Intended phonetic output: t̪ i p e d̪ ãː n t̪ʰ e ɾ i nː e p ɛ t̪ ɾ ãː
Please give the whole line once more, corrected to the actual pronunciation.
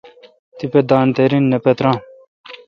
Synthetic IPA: t̪ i p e d̪ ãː n t̪ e ɾ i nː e p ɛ t̪ ɾ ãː